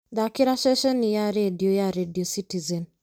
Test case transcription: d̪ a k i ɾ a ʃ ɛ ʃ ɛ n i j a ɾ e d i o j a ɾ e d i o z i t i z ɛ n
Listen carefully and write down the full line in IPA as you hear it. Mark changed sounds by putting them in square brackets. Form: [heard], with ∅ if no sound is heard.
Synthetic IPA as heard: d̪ a k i ɾ a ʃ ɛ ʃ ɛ n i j a ɾ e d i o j a ɾ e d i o [s] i t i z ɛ n